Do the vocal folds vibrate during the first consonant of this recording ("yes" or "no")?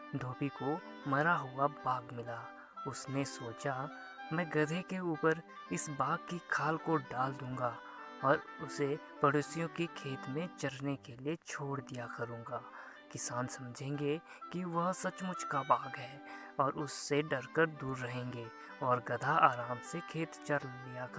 yes